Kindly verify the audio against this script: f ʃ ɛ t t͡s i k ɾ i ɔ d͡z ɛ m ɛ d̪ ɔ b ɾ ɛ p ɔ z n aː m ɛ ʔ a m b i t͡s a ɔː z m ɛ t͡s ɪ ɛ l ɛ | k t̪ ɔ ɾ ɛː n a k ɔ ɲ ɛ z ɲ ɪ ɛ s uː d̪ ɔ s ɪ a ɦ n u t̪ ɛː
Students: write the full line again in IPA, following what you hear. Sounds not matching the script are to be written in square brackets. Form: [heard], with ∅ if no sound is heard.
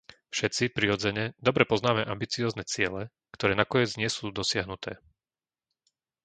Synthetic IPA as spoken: f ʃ ɛ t t͡s i [p] ɾ i ɔ d͡z ɛ [ɲ] ɛ d̪ ɔ b ɾ ɛ p ɔ z n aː m ɛ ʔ a m b i t͡s [i] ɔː z [n] ɛ t͡s ɪ ɛ l ɛ | k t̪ ɔ ɾ ɛː n a k ɔ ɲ ɛ [d͡z] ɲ ɪ ɛ s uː d̪ ɔ s ɪ a ɦ n u t̪ ɛː

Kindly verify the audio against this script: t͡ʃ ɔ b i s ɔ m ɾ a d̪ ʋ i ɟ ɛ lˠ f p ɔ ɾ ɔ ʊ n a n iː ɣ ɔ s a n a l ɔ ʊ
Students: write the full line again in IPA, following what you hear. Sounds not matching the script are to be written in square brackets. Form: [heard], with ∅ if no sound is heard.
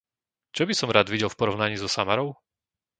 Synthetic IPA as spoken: t͡ʃ ɔ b i s ɔ m ɾ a d̪ ʋ i ɟ ɛ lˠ f p ɔ ɾ ɔ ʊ n a [ɲ] iː [z] ɔ s a [m] a [ɾ] ɔ ʊ

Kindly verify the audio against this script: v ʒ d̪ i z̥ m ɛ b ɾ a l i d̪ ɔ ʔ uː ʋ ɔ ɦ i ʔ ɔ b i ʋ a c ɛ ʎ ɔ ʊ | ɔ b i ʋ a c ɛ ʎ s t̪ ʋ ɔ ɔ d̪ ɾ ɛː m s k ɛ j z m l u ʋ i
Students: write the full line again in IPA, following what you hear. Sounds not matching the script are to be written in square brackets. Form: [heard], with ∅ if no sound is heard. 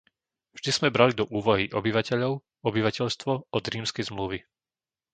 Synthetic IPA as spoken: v ʒ d̪ i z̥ m ɛ b ɾ a l i d̪ ɔ ʔ uː ʋ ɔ ɦ i ʔ ɔ b i ʋ a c ɛ ʎ ɔ ʊ | ɔ b i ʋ a c ɛ ʎ s t̪ ʋ ɔ ɔ d̪ ɾ [iː] m s k ɛ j z m l u ʋ i

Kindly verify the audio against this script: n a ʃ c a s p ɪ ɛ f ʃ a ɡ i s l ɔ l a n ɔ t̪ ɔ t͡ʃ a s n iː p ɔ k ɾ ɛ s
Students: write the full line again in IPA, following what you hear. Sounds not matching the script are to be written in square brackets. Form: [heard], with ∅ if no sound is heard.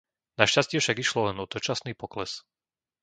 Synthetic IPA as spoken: n a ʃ c a s [c] ɪ ɛ f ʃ a ɡ i [ʃ] l ɔ l [ɛ] n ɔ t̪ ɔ t͡ʃ a s n iː p ɔ k [l] ɛ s

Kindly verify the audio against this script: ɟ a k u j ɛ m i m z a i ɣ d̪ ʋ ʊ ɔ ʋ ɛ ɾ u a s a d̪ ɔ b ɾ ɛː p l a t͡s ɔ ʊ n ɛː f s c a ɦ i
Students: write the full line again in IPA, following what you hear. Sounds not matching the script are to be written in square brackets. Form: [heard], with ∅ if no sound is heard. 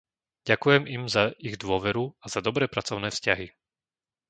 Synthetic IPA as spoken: ɟ a k u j ɛ m i m z a i ɣ d̪ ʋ ʊ ɔ ʋ ɛ ɾ u a [z] a d̪ ɔ b ɾ ɛː p [ɾ] a t͡s ɔ ʊ n ɛː f s c a ɦ i

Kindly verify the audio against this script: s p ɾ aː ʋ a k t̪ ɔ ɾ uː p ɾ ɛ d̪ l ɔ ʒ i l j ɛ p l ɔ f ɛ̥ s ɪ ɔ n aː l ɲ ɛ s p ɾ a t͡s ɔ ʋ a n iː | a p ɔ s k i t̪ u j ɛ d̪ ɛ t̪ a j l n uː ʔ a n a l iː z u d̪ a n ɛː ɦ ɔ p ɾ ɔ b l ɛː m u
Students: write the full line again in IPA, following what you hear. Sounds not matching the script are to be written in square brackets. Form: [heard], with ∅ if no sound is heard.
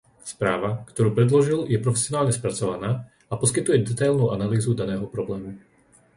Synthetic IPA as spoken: s p ɾ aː ʋ a k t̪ ɔ ɾ uː p ɾ ɛ d̪ l ɔ ʒ i l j ɛ p [ɾ] ɔ f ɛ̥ s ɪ ɔ n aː l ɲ ɛ s p ɾ a t͡s ɔ ʋ a n [aː] | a p ɔ s k i t̪ u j ɛ d̪ ɛ t̪ a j l n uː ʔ a n a l iː z u d̪ a n ɛː ɦ ɔ p ɾ ɔ b l ɛː m u

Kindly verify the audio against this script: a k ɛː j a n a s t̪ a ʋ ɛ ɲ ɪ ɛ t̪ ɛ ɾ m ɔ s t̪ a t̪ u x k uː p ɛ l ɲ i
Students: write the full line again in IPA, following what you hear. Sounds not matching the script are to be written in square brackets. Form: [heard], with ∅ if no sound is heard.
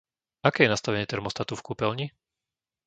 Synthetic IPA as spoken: a k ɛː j [ɛ] n a s t̪ a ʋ ɛ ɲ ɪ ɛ t̪ ɛ ɾ m ɔ s t̪ a t̪ u [f] k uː p ɛ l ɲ i

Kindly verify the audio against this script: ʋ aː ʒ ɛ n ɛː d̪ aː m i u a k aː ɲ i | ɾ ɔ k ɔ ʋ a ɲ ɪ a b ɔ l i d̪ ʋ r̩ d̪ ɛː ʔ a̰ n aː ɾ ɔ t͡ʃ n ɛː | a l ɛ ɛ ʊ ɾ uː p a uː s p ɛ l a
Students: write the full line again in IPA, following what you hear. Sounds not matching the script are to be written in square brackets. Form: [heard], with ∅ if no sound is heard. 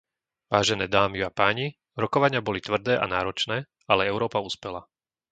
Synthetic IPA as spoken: ʋ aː ʒ ɛ n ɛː d̪ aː m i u a [p] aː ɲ i | ɾ ɔ k ɔ ʋ a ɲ ɪ a b ɔ l i [t̪] ʋ r̩ d̪ ɛː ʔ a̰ n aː ɾ ɔ t͡ʃ n ɛː | a l ɛ ɛ ʊ ɾ [ɔː] p a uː s p ɛ l a

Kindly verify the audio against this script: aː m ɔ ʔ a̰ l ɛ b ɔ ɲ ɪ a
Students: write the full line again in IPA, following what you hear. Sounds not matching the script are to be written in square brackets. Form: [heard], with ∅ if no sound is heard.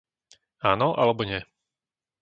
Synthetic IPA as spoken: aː [n] ɔ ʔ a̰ l ɛ b ɔ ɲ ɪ [ɛ]

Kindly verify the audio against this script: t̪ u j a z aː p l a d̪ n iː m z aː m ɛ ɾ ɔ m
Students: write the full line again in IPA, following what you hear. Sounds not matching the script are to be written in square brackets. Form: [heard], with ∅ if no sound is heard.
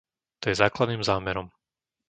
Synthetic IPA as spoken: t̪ [ɔ] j [ɛ] z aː [k] l a d̪ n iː m z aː m ɛ ɾ ɔ m

